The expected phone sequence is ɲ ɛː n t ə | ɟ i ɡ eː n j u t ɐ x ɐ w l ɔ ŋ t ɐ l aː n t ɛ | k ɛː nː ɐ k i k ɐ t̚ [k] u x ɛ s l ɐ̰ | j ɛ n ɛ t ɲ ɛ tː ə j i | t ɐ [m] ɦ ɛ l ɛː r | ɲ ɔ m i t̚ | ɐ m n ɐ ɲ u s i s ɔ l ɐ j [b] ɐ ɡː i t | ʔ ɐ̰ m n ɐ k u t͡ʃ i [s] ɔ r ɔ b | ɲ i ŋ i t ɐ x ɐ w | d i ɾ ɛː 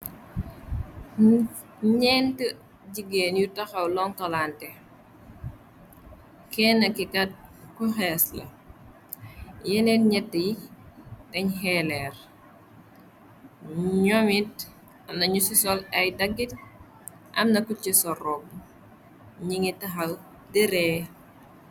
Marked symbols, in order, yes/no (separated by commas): yes, no, no, yes